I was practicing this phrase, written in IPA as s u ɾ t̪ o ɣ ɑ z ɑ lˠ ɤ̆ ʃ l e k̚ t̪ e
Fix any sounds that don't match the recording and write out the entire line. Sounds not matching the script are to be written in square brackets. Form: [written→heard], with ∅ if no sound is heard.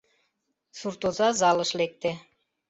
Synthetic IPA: s u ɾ t̪ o [ɣ→z] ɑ z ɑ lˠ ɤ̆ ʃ l e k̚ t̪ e

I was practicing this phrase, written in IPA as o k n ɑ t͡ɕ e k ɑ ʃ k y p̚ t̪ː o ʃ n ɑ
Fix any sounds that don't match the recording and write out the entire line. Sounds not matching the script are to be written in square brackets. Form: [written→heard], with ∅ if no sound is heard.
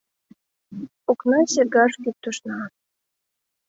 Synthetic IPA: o k n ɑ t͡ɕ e [k→ɡ] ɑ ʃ k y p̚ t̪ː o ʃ n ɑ

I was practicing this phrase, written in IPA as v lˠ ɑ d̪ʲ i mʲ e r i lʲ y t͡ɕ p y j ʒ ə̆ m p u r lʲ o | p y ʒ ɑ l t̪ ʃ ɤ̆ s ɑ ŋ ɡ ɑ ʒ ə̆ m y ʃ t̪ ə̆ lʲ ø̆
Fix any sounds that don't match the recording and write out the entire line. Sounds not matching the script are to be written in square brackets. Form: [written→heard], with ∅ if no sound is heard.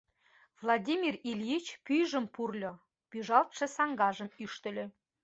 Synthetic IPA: v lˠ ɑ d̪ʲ i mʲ [e→i] r i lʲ [y→i] t͡ɕ p y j ʒ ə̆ m p u r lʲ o | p y ʒ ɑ l t̪ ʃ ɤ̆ s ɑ ŋ ɡ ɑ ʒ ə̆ m y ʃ t̪ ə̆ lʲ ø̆

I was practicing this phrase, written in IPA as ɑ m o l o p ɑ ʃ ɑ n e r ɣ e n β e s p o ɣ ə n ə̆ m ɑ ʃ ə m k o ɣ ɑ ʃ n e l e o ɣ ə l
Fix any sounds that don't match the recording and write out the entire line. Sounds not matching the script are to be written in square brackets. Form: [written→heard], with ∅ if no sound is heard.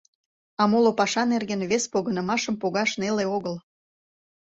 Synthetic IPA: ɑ m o l o p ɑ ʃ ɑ n e r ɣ e n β e s p o ɣ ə n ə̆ m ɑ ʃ ə m [k→p] o ɣ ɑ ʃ n e l e o ɣ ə l

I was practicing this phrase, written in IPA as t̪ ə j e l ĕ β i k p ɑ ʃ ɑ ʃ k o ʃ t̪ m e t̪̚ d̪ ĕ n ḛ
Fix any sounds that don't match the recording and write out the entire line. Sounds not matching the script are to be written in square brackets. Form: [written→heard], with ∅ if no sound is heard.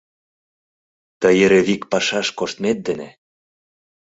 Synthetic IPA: t̪ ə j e [l→ɾ] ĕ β i k p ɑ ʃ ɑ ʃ k o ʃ t̪ m e t̪̚ d̪ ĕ n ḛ

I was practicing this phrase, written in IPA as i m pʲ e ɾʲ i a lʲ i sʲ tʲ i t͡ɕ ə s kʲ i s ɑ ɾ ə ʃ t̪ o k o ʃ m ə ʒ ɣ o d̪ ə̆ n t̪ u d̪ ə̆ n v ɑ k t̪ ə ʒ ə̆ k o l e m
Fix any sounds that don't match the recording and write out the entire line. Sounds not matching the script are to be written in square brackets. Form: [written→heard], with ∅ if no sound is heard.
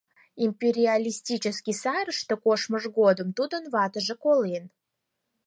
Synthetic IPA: i m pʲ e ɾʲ i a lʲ i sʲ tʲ i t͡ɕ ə s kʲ i s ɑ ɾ ə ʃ t̪ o k o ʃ m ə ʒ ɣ o d̪ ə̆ [n→m] t̪ u d̪ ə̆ n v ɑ [k→∅] t̪ ə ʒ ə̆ k o l e [m→n]

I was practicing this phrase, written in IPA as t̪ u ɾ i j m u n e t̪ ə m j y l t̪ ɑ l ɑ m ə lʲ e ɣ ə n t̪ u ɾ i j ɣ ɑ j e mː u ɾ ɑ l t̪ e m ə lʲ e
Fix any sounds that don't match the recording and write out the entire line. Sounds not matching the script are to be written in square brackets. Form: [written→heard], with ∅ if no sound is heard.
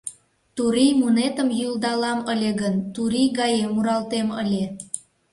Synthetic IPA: t̪ u ɾ i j m u n e t̪ ə m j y l [t̪→d̪] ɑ l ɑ m ə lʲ e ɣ ə n t̪ u ɾ i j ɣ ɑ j e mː u ɾ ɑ l t̪ e m ə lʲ e

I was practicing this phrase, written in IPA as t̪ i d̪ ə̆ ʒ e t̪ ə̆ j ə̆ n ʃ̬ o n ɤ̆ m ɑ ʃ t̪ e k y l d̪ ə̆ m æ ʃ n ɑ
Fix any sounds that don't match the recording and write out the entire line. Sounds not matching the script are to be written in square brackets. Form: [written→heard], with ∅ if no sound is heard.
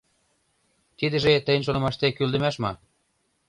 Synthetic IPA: t̪ i d̪ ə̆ ʒ e t̪ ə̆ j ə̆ n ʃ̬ o n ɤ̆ m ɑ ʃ t̪ e k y l d̪ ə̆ m æ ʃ [n→m] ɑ

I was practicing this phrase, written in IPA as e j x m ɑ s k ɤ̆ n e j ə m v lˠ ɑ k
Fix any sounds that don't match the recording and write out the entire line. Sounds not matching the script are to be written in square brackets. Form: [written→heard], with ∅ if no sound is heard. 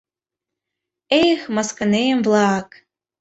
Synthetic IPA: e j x m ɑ s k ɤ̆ n e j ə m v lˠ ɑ k

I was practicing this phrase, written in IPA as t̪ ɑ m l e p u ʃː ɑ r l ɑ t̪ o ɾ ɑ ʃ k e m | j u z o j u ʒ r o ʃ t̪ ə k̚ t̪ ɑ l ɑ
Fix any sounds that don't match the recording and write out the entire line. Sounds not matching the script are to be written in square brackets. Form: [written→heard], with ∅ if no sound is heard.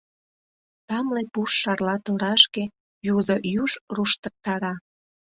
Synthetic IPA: t̪ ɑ m l e p u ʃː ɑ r l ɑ t̪ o ɾ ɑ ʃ k e [m→∅] | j u z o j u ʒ r [o→u] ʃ t̪ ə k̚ t̪ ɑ [l→ɾ] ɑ

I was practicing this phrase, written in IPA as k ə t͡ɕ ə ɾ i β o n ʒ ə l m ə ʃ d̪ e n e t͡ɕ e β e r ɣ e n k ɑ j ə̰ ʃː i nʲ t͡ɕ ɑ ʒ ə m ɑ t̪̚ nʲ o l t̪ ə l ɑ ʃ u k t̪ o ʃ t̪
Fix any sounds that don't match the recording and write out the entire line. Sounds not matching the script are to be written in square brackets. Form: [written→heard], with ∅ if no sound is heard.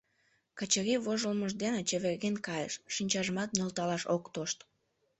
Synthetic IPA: k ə t͡ɕ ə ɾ i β o [n→∅] ʒ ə l m ə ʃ d̪ e n e t͡ɕ e β e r ɣ e n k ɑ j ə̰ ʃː i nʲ t͡ɕ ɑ ʒ ə m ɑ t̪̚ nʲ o l t̪ [ə→ɑ] l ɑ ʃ [u→o] k t̪ o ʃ t̪

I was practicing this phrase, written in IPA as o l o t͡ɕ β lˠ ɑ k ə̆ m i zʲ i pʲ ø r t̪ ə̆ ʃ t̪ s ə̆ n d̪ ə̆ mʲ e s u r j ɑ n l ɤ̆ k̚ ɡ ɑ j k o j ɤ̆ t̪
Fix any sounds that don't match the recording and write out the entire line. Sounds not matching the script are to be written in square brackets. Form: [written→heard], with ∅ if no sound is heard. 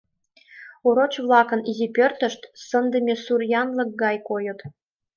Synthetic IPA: o [l→ɾ] o t͡ɕ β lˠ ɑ k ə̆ [m→n] i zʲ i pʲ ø r t̪ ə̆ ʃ t̪ s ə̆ n d̪ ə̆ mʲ e s u r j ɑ n l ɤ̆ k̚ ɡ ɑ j k o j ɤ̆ t̪

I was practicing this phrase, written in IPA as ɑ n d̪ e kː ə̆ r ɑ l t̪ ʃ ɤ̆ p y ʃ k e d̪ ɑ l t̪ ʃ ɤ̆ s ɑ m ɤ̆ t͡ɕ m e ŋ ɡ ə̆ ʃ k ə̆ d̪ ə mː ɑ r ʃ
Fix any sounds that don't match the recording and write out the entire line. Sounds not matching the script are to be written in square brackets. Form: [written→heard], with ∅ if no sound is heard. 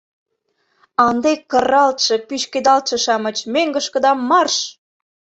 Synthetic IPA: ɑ n d̪ e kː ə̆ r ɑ l t̪ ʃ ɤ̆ p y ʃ k e d̪ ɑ l t̪ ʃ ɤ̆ [s→ʃ] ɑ m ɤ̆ t͡ɕ m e ŋ ɡ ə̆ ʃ k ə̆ d̪ [ə→ɑ] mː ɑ r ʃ

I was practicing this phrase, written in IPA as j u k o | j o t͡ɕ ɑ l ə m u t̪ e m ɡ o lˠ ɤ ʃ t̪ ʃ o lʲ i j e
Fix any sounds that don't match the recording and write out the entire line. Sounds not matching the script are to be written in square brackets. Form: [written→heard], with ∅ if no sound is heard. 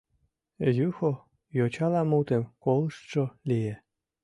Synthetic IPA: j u [k→x] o | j o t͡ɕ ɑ l [ə→ɑ] m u t̪ e m [ɡ→k] o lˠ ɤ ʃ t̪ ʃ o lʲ i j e

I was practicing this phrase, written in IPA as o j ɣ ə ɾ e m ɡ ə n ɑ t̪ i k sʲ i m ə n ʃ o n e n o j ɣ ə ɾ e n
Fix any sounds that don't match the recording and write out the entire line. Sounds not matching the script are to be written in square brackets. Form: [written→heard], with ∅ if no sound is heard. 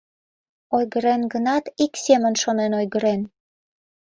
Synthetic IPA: o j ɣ ə ɾ e [m→n] ɡ ə n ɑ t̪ i k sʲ [i→e] m ə n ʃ o n e n o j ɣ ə ɾ e n

